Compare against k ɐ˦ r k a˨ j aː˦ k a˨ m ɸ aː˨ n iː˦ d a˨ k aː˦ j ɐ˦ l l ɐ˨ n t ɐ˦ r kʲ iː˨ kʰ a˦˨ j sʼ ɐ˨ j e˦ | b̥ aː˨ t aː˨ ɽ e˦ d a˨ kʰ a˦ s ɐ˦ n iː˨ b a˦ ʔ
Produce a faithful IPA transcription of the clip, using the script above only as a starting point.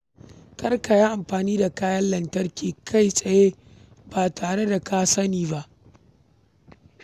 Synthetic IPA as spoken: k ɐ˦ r k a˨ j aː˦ ʔ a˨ m ɸ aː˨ n iː˦ d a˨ k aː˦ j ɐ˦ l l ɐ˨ n t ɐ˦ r kʲ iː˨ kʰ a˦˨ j sʼ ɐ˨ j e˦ | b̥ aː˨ t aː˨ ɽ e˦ d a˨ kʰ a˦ s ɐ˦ n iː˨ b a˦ ʔ